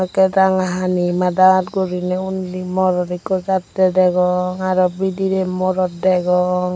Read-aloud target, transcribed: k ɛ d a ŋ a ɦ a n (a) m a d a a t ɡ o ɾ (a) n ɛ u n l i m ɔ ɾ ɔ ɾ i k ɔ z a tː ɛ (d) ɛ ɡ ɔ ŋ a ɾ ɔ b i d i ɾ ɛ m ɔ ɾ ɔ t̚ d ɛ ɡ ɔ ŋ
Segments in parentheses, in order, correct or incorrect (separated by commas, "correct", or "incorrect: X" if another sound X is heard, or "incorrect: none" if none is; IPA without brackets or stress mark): incorrect: i, incorrect: i, correct